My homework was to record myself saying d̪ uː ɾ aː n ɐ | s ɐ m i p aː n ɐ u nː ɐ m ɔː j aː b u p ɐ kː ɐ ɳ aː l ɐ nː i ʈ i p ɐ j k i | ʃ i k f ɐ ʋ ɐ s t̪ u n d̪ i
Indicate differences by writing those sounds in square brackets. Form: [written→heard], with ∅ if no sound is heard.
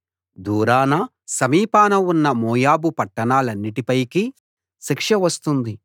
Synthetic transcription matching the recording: d̪ uː ɾ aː n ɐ | s ɐ m [i→iː] p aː n ɐ u nː ɐ m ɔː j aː b u p ɐ [kː→ʈː] ɐ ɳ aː l ɐ nː i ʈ i p ɐ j k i | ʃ i k [f→ʂ] ɐ ʋ ɐ s t̪ u n d̪ i